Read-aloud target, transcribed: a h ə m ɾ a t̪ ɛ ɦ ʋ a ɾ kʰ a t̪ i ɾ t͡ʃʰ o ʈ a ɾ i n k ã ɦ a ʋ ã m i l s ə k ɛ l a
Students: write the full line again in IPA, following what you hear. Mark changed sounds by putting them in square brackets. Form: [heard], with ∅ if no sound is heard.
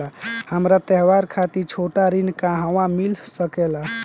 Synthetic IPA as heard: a h ə m ɾ a t̪ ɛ ɦ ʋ a ɾ kʰ a t̪ i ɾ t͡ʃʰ o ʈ a ɾ i n k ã ɦ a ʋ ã m i l s ə k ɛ l a